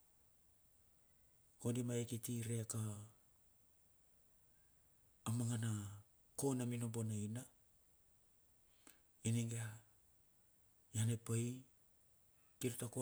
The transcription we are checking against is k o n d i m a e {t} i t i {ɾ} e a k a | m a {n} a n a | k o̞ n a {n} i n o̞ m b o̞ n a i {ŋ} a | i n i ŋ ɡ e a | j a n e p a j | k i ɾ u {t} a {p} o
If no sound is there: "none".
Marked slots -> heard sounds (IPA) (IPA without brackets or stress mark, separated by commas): k, ɾ, ŋ, m, n, t, k